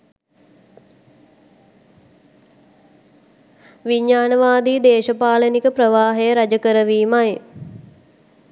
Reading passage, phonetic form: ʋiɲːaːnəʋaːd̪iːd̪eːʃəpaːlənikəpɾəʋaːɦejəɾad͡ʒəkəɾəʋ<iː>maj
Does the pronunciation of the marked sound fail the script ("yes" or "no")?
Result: no